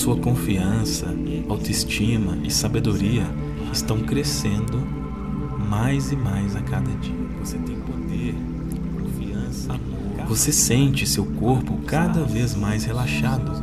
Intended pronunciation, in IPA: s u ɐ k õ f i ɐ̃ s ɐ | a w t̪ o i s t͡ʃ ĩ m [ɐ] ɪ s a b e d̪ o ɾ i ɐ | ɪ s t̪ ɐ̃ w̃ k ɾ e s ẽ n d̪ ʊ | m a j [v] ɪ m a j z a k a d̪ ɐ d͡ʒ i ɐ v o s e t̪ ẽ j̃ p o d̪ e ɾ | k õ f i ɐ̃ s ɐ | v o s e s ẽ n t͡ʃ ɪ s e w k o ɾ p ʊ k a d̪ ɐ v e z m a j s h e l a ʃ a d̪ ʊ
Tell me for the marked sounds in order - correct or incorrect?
correct, incorrect

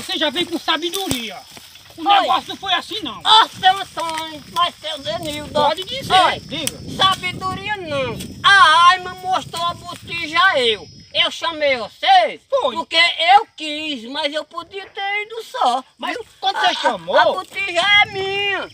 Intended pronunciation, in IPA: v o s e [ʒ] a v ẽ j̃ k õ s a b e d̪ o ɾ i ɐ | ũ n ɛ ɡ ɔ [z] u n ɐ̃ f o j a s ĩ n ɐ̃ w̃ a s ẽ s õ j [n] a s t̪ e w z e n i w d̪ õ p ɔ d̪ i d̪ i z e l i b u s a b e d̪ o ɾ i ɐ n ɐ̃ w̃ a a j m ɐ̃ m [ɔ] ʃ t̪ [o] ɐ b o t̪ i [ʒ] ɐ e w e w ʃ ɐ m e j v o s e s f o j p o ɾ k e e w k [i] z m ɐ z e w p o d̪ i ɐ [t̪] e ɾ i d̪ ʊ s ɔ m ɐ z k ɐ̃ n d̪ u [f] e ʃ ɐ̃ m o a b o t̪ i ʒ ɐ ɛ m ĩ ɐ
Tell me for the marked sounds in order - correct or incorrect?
correct, incorrect, incorrect, incorrect, correct, correct, correct, correct, incorrect

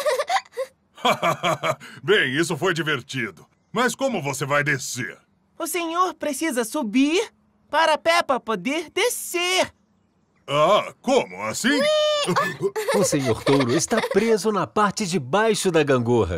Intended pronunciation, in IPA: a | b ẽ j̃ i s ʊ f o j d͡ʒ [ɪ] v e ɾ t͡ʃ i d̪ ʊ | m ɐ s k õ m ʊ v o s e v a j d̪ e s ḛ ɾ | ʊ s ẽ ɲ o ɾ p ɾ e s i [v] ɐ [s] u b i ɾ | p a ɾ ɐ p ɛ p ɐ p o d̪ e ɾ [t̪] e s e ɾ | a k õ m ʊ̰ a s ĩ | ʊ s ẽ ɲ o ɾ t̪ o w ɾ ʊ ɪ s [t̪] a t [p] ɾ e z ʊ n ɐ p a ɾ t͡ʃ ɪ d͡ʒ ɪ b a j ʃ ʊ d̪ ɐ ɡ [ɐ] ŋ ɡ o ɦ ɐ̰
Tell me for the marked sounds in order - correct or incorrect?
incorrect, incorrect, correct, incorrect, correct, correct, incorrect

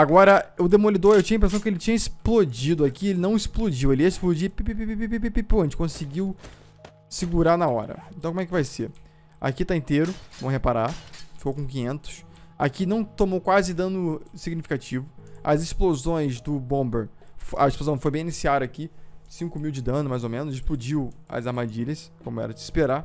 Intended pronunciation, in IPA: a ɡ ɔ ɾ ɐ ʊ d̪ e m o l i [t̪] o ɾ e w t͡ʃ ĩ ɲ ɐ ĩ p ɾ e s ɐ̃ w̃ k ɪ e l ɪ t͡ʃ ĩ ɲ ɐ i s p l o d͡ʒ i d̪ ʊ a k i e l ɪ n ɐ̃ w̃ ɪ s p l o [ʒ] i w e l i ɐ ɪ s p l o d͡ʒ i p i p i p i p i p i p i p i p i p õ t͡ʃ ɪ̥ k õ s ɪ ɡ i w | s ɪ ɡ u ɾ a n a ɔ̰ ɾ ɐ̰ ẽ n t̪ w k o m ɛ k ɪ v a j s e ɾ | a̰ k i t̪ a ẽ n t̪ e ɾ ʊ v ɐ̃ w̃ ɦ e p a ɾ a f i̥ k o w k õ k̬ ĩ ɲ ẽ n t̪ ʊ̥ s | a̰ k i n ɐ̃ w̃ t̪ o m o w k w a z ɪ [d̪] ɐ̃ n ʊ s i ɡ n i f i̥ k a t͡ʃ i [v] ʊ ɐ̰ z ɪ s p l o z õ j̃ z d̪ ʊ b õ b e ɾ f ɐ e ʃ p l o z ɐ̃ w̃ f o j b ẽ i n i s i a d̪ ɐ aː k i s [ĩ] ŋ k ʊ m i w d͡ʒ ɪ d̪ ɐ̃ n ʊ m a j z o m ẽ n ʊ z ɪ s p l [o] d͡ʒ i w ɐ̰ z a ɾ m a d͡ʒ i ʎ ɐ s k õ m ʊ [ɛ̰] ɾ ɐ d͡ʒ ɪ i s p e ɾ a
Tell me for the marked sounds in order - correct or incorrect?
incorrect, incorrect, correct, correct, correct, incorrect, correct

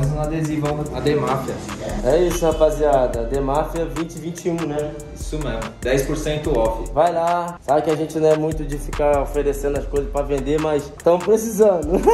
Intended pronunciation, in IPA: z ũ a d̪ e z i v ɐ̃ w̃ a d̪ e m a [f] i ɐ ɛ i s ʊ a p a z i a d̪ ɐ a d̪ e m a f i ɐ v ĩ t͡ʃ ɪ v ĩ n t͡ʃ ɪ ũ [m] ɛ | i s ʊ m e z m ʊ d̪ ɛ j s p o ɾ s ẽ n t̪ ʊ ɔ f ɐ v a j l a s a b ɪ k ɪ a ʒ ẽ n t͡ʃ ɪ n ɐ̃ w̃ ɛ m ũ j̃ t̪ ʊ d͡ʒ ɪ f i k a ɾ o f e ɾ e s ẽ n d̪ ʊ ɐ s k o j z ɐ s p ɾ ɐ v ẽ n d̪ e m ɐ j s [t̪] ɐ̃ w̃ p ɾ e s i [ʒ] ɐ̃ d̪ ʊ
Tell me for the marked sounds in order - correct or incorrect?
correct, incorrect, correct, incorrect

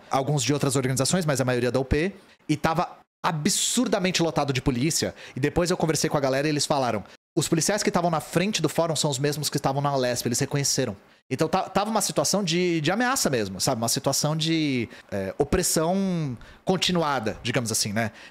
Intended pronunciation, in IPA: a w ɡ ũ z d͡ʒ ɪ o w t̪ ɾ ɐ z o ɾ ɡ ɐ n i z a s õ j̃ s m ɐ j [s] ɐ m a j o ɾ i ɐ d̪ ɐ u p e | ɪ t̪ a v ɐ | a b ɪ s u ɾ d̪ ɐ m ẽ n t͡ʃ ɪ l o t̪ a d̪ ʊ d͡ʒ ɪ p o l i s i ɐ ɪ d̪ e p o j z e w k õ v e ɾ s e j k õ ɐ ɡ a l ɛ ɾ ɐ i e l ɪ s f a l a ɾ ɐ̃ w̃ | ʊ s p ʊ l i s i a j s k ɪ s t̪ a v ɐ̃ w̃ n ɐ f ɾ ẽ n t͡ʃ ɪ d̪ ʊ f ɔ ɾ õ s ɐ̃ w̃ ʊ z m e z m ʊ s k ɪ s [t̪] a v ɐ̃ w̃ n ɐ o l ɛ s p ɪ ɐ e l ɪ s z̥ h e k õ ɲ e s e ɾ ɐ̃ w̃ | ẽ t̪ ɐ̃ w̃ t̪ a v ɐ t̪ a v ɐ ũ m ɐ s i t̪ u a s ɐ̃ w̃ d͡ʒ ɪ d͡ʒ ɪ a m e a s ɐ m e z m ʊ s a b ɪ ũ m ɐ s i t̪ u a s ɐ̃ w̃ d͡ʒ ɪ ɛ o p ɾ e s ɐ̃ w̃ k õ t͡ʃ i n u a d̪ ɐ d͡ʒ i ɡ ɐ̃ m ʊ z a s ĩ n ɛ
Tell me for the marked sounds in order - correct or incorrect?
incorrect, correct

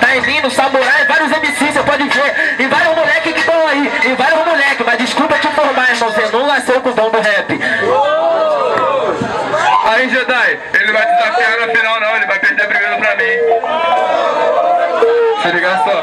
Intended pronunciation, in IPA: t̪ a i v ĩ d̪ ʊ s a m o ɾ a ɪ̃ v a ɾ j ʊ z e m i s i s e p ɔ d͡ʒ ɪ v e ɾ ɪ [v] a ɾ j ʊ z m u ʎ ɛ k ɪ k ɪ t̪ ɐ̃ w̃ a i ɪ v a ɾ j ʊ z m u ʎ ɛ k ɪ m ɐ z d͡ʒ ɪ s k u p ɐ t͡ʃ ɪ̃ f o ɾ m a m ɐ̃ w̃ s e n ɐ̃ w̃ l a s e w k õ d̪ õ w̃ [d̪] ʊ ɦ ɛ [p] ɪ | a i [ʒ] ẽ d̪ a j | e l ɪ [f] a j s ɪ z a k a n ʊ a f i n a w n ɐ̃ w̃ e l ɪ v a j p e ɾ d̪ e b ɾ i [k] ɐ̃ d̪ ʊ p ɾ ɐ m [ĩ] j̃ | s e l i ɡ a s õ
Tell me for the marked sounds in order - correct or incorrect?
correct, correct, correct, correct, incorrect, incorrect, correct

